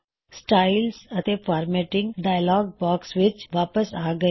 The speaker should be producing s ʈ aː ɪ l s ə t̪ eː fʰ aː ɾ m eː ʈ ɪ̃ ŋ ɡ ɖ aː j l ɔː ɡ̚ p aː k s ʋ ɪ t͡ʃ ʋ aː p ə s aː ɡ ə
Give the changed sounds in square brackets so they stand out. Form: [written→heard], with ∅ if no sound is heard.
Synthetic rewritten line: s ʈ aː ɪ l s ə t̪ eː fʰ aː ɾ m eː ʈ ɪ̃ ŋ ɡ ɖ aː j l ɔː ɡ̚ [p→b] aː k s ʋ ɪ t͡ʃ ʋ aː p ə s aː ɡ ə